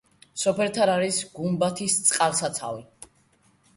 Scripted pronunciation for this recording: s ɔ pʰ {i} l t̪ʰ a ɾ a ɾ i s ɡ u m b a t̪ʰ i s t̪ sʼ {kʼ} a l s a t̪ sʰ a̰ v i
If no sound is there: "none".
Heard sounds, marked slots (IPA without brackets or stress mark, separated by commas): ɛ, qʼ